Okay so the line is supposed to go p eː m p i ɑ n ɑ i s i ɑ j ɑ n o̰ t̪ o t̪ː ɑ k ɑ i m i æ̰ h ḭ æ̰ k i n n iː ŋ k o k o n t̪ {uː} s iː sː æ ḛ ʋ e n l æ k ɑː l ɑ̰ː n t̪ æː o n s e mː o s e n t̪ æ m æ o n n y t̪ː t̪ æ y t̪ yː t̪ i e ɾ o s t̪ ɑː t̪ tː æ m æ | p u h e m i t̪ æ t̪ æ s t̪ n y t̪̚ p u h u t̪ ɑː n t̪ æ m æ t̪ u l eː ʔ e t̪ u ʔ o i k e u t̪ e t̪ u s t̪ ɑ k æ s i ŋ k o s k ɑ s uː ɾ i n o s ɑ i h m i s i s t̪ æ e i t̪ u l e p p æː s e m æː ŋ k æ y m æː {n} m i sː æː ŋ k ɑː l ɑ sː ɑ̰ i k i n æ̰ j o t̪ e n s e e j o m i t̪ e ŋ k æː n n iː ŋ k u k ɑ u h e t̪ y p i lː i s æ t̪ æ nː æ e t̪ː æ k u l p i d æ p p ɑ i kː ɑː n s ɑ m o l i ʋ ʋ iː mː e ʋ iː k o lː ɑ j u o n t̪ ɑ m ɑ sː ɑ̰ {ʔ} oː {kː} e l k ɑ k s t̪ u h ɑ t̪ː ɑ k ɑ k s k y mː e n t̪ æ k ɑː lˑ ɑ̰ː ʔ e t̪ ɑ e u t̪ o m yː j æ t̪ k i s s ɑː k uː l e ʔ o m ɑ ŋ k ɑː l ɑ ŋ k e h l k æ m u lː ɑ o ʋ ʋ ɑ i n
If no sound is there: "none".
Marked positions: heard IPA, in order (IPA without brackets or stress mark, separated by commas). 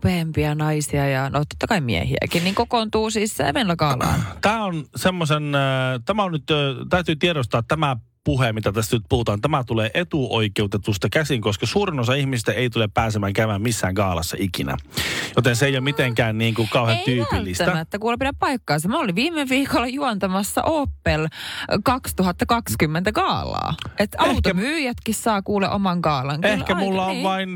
uː, m, ʔ, pː